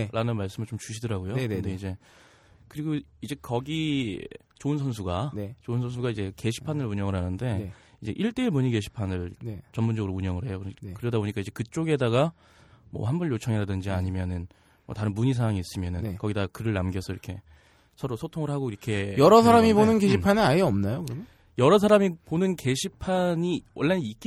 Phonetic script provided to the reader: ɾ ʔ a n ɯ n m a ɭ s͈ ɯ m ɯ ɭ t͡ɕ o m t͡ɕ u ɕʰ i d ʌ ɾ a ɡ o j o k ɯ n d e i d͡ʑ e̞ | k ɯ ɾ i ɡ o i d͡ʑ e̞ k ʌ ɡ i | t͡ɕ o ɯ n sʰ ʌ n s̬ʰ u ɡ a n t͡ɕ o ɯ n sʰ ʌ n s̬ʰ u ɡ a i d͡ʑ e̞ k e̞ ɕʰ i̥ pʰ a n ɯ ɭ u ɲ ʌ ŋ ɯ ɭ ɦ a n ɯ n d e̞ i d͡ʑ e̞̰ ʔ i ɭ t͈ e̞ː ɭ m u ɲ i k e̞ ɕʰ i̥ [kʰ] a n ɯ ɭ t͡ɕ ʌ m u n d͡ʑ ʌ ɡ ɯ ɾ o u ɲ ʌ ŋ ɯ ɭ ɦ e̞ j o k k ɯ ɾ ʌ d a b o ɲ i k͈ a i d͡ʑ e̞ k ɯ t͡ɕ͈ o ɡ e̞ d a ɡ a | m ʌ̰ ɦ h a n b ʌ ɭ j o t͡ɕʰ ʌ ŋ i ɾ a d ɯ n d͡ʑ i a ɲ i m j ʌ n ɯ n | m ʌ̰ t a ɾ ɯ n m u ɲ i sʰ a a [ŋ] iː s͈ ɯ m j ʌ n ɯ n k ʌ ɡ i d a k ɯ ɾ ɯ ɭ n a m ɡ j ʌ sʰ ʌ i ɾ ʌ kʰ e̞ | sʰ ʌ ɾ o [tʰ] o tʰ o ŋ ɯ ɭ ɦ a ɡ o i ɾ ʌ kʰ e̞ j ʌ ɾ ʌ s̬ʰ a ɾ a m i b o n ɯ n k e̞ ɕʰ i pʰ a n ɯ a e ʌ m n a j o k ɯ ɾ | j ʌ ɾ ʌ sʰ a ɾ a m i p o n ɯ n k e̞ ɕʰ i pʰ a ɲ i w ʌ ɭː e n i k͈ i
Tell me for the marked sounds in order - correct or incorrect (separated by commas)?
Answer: incorrect, correct, incorrect